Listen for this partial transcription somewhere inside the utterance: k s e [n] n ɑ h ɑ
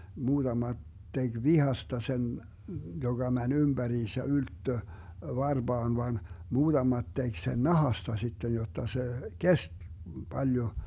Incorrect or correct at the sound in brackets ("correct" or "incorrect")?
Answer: correct